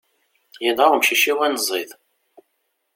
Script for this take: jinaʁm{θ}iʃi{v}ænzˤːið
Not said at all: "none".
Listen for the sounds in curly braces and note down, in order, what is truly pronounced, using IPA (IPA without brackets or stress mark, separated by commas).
ʃ, w